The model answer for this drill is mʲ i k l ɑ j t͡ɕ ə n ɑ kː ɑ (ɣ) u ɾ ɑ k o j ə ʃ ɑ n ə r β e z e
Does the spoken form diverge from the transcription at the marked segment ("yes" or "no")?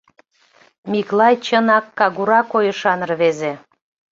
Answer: no